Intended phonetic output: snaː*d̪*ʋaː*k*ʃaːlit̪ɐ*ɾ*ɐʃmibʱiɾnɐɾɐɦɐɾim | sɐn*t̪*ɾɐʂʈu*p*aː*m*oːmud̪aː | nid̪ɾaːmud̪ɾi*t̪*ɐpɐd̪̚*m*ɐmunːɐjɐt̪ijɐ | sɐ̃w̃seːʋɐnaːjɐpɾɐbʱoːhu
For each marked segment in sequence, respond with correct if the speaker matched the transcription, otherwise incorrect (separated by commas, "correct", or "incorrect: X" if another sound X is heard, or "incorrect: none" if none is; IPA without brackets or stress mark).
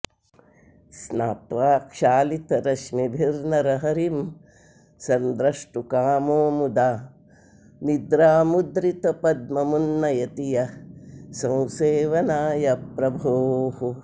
incorrect: t̪, correct, correct, incorrect: d̪, incorrect: k, correct, correct, correct